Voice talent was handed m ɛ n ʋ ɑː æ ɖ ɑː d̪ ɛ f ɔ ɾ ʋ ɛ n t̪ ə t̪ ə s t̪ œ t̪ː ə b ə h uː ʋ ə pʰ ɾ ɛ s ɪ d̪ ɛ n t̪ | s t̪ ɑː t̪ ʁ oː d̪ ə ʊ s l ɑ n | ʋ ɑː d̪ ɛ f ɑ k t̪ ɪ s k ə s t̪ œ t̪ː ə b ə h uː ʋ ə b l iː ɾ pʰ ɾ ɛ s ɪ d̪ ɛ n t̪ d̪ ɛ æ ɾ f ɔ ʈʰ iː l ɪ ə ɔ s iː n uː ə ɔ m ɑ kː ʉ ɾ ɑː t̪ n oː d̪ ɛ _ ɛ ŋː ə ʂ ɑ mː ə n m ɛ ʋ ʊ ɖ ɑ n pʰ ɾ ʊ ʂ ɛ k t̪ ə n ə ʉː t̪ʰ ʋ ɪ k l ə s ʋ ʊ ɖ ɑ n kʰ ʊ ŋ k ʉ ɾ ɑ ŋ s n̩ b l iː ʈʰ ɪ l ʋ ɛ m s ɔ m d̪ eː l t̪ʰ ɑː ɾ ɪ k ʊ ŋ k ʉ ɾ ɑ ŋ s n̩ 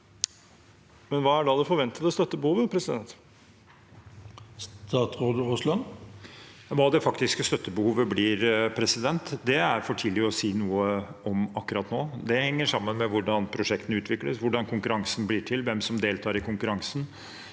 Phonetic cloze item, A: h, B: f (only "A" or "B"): A